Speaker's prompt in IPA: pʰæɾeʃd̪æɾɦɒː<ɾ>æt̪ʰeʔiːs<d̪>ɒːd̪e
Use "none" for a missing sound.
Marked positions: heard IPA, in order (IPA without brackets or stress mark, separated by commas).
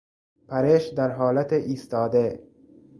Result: l, t̪